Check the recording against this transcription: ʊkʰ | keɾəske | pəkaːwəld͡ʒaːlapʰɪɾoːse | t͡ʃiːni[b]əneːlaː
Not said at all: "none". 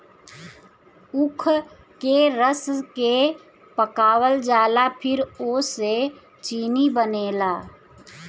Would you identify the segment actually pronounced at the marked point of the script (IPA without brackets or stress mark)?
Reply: b